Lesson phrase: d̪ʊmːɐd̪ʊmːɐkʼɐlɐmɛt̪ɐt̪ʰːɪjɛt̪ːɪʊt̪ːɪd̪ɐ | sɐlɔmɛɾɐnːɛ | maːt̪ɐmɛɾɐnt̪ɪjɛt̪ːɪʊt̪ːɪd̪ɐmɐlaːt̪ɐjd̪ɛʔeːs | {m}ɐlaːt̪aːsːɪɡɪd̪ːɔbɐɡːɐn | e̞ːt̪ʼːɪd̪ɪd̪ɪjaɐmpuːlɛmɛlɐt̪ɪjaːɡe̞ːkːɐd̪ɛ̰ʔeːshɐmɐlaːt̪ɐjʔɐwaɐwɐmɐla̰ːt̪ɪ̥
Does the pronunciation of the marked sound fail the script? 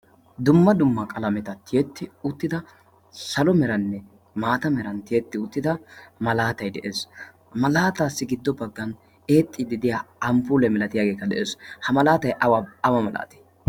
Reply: no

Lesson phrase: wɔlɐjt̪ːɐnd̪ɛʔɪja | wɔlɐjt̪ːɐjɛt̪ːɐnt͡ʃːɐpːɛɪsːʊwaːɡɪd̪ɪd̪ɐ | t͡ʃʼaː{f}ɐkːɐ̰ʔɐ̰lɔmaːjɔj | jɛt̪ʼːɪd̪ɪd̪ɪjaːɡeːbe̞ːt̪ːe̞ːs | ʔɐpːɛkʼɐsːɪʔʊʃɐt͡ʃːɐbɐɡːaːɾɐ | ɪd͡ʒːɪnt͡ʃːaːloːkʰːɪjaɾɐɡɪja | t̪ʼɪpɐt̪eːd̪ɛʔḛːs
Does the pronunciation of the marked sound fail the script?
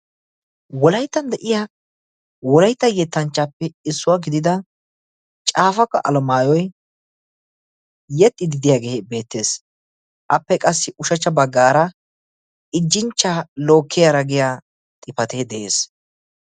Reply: no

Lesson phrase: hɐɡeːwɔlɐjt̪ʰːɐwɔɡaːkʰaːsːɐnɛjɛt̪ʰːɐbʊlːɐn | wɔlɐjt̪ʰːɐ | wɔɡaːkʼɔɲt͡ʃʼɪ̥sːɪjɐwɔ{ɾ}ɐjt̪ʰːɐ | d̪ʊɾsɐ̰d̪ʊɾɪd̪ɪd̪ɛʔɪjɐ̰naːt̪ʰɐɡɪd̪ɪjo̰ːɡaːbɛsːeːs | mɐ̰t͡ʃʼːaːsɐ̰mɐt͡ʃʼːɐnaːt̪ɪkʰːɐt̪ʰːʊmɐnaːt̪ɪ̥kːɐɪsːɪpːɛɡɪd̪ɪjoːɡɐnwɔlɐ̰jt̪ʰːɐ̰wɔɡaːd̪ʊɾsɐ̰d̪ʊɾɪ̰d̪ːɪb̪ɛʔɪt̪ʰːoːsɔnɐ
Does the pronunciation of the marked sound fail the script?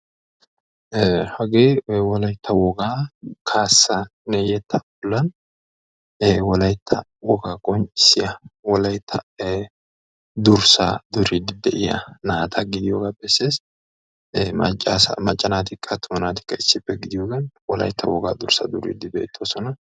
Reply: yes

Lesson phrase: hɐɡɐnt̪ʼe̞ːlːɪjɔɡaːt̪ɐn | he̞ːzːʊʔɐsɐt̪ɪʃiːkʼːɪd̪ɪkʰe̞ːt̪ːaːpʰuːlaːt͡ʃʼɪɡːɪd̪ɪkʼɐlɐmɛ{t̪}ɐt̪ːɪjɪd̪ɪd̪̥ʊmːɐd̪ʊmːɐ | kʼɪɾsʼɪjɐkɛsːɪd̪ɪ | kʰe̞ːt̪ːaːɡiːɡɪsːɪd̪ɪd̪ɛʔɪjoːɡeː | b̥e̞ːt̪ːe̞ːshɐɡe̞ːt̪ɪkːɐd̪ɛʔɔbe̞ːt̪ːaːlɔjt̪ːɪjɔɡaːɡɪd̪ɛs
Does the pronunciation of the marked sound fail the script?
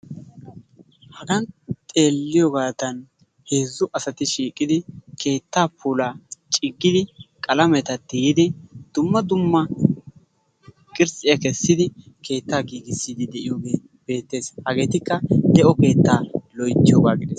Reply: no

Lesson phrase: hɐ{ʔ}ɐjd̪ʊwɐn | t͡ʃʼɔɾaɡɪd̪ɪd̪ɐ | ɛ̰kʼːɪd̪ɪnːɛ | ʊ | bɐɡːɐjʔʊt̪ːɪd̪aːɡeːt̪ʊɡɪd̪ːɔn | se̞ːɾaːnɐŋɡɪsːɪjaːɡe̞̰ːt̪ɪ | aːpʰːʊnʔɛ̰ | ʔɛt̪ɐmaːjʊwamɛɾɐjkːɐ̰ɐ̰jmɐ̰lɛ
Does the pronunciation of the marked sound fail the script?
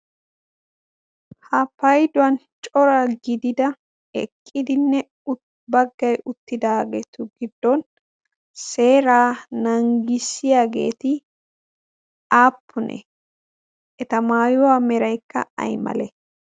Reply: yes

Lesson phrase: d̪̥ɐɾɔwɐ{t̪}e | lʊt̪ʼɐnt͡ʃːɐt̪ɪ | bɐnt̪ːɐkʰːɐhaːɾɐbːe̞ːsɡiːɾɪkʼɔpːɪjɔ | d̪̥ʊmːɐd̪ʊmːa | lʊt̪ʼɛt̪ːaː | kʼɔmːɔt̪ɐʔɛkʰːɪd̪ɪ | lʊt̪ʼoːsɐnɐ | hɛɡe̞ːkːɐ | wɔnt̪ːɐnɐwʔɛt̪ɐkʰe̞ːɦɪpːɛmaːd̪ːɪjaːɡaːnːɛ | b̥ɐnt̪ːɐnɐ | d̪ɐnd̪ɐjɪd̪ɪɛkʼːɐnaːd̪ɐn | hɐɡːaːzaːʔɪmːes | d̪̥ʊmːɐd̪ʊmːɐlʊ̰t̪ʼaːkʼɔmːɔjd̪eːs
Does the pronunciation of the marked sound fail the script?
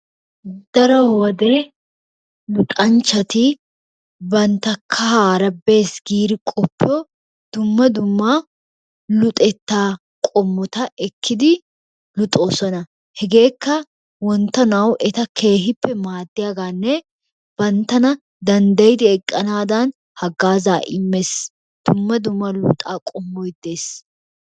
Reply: yes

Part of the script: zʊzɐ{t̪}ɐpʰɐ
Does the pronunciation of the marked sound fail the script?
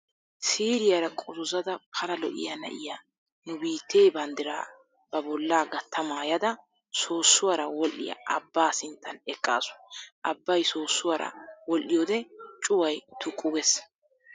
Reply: yes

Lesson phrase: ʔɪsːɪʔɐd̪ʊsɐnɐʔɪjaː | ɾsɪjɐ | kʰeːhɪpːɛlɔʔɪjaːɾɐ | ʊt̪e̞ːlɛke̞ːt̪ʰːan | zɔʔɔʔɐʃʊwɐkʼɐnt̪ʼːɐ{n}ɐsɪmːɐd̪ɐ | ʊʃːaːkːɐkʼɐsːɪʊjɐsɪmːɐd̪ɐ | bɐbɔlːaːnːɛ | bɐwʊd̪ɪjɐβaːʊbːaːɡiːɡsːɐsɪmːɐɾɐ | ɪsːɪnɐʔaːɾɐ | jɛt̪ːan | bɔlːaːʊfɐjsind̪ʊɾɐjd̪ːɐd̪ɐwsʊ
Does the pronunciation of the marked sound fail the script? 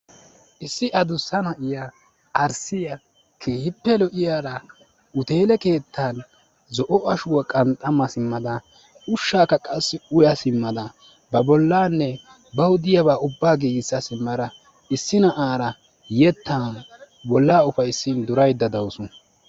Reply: yes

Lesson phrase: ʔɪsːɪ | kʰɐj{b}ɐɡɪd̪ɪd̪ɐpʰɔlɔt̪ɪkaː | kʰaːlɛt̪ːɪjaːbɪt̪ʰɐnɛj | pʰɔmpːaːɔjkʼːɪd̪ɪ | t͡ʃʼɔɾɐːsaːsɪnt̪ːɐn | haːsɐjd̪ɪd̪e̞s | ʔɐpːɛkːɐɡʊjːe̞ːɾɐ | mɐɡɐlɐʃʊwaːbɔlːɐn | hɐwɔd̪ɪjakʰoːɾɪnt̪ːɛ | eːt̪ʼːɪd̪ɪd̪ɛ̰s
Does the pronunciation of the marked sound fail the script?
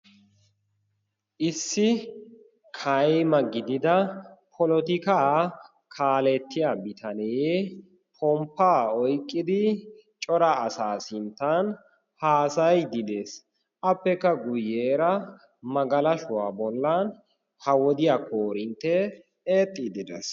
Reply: yes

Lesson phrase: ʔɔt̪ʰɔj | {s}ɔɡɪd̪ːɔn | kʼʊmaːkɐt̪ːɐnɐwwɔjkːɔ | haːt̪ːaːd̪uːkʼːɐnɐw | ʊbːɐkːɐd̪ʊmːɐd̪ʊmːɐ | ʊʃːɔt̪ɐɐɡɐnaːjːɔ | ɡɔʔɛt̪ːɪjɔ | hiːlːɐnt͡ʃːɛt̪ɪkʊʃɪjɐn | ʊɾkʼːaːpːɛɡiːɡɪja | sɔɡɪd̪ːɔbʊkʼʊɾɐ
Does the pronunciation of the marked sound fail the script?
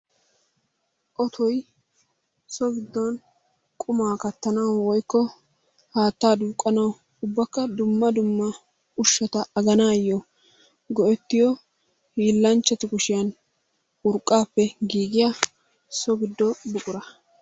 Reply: no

